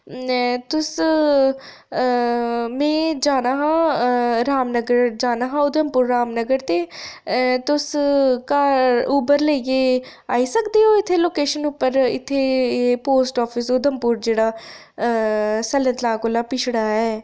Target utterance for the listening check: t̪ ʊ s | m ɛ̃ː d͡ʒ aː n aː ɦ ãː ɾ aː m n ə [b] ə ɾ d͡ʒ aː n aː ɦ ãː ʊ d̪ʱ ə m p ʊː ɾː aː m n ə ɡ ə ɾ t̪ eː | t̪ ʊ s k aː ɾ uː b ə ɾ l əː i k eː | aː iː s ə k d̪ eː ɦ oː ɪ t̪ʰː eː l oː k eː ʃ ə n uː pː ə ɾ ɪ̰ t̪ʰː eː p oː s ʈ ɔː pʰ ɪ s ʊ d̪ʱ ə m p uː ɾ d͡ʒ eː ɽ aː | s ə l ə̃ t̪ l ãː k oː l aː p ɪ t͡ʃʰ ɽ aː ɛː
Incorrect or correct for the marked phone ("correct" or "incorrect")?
incorrect